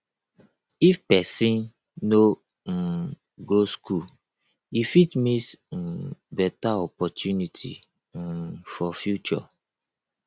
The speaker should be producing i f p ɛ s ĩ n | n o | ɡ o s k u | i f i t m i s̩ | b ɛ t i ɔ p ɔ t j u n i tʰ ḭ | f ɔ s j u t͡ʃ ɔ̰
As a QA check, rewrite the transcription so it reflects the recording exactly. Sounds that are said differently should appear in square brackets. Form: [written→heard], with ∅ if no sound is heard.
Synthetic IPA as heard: i f p ɛ s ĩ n | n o | ɡ o s k u | i f i t m i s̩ | b ɛ t [i→a] ɔ p ɔ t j u n i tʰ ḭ | f ɔ [s→f] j u t͡ʃ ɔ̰